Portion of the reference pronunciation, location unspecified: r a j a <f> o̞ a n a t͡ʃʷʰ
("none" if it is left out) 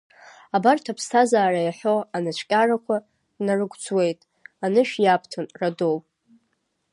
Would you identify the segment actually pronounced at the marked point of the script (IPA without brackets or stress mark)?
ħ